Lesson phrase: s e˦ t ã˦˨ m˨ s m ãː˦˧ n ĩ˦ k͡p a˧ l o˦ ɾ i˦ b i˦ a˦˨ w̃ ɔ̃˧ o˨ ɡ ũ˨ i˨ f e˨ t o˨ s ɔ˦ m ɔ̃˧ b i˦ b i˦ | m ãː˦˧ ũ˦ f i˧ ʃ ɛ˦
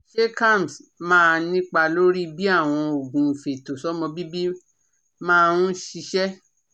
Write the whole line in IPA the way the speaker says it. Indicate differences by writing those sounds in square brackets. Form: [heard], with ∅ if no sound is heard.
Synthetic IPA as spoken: [ʃ] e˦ [k] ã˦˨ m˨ s m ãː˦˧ n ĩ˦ k͡p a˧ l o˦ ɾ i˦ b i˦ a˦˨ w̃ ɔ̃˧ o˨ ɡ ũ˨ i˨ f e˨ t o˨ s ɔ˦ m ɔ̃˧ b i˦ b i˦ | m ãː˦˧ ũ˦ [ʃ] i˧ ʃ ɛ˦

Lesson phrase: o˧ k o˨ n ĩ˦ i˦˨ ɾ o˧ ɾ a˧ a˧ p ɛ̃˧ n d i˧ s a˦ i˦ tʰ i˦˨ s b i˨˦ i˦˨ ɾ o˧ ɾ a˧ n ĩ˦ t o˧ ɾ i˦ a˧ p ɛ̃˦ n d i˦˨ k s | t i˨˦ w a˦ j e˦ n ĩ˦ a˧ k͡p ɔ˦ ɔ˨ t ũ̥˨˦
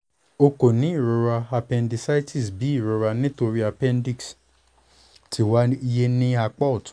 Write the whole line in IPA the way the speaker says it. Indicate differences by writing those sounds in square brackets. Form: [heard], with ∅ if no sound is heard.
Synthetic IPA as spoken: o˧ k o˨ n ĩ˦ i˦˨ ɾ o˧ ɾ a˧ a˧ p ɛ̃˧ n d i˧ s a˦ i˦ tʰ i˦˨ s b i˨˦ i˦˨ ɾ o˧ ɾ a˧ n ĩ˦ t o˧ ɾ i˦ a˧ p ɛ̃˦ n d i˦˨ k s | t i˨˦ w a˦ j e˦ n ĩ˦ a˧ k͡p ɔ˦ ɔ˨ t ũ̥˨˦

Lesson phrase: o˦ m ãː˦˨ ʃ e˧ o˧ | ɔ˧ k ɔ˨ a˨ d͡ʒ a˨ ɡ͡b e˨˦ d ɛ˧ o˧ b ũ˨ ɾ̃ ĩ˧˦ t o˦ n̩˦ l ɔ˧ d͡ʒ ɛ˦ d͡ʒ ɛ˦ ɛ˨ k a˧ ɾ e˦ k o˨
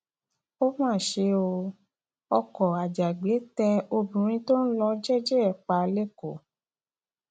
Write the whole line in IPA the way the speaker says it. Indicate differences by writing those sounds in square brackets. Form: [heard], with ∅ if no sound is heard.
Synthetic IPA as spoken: o˦ m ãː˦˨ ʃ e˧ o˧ | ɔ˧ k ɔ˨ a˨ d͡ʒ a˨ ɡ͡b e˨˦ [t] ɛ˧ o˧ b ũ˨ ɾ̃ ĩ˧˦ t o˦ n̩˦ l ɔ˧ d͡ʒ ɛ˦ d͡ʒ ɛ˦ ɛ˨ [k͡p] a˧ [l] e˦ k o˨

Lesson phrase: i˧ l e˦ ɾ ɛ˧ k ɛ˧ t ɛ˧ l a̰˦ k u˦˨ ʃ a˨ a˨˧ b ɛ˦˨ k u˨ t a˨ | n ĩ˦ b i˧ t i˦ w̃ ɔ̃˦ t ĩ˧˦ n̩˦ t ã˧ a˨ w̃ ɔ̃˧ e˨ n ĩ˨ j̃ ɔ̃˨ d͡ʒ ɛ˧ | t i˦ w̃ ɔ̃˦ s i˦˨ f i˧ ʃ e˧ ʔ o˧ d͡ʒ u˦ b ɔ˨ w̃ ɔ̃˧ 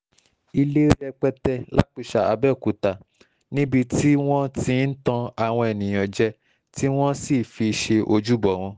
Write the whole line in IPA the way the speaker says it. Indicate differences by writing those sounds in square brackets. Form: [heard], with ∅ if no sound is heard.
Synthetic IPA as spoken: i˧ l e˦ ɾ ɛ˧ [k͡p] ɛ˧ t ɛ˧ l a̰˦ [k͡p] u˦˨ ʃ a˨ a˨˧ b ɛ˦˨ k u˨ t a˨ | n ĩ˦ b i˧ t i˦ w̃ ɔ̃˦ t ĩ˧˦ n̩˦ t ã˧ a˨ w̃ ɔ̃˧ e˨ n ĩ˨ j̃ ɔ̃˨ d͡ʒ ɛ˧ | t i˦ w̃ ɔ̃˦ s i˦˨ f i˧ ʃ e˧ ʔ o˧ d͡ʒ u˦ b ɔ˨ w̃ ɔ̃˧

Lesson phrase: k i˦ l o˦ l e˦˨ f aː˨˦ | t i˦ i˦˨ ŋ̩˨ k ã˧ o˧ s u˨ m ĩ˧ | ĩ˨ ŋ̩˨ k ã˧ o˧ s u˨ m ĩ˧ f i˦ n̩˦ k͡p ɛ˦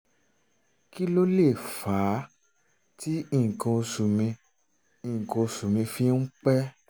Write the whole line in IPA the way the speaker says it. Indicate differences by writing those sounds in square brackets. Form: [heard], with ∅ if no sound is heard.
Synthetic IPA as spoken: k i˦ l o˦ l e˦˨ f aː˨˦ | t i˦ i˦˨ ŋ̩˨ k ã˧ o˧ s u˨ m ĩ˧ | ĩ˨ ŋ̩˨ k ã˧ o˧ s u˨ m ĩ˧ f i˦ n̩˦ k͡p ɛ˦

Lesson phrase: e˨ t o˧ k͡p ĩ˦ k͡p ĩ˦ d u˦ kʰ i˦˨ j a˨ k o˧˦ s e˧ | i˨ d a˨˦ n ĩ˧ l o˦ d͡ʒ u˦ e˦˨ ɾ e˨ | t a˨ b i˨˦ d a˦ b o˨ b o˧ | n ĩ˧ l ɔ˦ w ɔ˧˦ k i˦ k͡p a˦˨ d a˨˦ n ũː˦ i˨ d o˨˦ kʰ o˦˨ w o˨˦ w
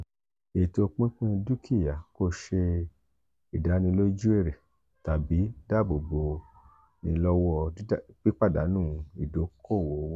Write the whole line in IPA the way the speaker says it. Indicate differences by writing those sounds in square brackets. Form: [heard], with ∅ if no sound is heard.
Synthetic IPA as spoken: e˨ t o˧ k͡p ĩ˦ k͡p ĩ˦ d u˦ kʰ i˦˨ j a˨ k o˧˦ [ʃ] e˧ | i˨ d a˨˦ n ĩ˧ l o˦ d͡ʒ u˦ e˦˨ ɾ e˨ | t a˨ b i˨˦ d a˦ b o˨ b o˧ | n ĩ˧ l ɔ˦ w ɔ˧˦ [k͡p] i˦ k͡p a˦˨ d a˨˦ n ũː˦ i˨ d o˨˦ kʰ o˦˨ w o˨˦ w

